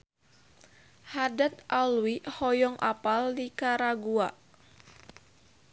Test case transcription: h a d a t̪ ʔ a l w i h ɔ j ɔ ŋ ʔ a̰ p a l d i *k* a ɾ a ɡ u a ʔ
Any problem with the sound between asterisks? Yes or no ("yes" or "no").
no